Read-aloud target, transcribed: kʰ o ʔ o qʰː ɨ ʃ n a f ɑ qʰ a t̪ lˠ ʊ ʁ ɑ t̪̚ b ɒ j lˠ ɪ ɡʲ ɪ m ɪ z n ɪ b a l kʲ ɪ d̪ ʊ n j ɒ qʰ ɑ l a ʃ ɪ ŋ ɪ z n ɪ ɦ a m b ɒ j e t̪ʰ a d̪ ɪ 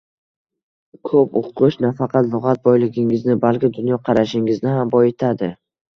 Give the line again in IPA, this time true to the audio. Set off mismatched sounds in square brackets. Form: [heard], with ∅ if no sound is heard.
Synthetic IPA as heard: kʰ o [p] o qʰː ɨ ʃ n a f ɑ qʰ [ɑ] t̪ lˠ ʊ ʁ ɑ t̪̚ b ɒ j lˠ ɪ ɡʲ ɪ [ŋ] ɪ z n ɪ b a l kʲ ɪ d̪ ʊ n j ɒ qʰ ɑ [ɾ] a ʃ ɪ ŋ ɪ z n ɪ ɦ a m b ɒ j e t̪ʰ a d̪ ɪ